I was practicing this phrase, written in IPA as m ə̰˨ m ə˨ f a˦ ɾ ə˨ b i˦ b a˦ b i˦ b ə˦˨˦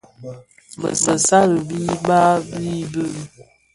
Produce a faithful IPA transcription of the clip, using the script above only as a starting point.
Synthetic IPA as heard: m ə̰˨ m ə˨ s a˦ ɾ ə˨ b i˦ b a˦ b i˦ b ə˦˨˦

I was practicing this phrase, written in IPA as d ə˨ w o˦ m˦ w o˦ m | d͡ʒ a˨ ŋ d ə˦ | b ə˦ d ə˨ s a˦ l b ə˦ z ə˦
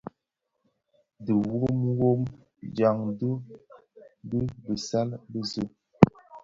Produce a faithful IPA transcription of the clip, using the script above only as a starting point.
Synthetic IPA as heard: d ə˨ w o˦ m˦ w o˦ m | d͡ʒ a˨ ŋ d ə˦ | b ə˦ b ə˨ s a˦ l b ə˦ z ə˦

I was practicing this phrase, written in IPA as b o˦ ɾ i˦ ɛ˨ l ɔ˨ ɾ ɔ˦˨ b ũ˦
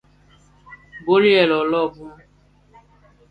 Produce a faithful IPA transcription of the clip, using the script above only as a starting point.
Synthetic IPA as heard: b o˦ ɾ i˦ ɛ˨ l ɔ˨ l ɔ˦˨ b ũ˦

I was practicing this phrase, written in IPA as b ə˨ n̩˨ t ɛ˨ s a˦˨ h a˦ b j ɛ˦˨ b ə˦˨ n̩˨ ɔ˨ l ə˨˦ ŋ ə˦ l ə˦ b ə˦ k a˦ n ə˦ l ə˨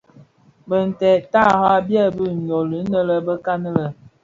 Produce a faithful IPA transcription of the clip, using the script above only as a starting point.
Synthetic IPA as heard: b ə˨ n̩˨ t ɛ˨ t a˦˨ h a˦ b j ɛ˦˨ b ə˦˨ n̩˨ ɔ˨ l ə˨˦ n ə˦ l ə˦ b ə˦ k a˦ n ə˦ l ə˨

